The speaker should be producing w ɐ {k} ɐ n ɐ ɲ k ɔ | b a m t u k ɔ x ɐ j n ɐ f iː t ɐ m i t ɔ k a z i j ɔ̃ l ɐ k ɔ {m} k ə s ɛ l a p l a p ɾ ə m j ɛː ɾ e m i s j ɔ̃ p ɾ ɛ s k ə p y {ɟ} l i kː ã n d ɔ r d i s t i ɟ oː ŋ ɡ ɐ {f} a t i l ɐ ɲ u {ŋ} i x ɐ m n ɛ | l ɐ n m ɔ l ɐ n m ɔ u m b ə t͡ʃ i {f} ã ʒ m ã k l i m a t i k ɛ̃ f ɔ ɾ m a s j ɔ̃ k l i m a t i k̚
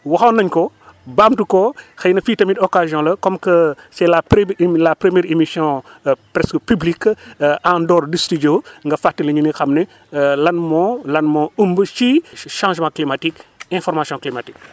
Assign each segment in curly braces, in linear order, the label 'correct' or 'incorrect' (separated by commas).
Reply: incorrect, correct, incorrect, correct, incorrect, incorrect